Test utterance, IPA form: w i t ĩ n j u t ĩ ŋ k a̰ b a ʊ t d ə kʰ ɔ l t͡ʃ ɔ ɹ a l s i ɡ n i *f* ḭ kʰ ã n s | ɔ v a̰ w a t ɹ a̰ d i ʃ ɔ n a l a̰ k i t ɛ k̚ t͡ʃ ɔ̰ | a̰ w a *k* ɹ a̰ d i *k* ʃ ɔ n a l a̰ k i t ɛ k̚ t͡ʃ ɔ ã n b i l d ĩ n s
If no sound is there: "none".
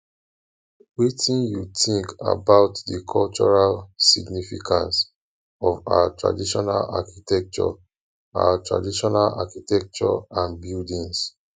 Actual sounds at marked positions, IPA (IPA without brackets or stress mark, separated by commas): f, t, none